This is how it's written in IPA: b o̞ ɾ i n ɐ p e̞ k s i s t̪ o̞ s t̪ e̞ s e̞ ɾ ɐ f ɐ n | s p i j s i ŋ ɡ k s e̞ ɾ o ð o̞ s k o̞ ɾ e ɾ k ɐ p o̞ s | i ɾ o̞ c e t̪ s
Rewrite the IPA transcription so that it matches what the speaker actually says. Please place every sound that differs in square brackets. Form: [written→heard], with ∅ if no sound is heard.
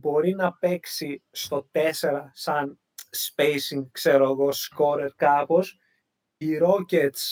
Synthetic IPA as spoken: b o̞ ɾ i n ɐ p e̞ k s i s t̪ o̞ [s→∅] t̪ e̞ s e̞ ɾ ɐ [f→s] ɐ n | s p [i→e] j s i ŋ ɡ k s e̞ ɾ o [ð→ɣ] o̞ s k o̞ ɾ e ɾ k ɐ p o̞ s | i ɾ o̞ c e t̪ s